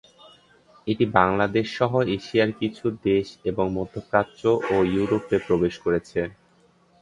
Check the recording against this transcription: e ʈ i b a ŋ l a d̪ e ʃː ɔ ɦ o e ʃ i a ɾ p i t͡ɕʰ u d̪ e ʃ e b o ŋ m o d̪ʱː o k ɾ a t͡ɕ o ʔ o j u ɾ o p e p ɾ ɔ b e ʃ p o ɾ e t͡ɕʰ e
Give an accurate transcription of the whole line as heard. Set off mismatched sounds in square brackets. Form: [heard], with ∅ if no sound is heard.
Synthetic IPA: e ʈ i b a ŋ l a d̪ e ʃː ɔ ɦ o e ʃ i a ɾ [k] i t͡ɕʰ u d̪ e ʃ e b o ŋ m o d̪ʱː o k ɾ a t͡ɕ o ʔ o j u ɾ o p e p ɾ [o] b e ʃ [k] o ɾ e t͡ɕʰ e